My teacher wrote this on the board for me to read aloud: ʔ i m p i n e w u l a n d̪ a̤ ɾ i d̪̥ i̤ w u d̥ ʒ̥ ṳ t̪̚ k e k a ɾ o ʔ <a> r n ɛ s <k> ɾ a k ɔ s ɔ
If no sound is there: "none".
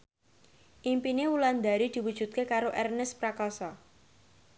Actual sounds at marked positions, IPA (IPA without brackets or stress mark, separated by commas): ɛ, p